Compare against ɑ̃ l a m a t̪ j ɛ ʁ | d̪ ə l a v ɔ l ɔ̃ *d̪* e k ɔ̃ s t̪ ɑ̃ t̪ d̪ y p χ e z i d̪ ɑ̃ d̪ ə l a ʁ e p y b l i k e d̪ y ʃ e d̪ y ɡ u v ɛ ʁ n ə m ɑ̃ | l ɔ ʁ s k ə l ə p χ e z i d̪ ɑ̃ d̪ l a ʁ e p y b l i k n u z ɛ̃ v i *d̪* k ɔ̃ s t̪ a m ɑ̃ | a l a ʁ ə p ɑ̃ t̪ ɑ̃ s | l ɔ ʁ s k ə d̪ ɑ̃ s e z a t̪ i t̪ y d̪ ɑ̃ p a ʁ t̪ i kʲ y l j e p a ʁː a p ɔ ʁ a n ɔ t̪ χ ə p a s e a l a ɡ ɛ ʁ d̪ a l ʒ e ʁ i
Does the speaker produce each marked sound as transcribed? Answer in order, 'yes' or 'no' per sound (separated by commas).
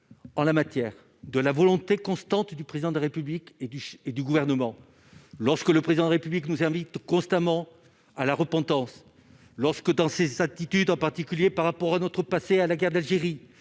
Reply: no, no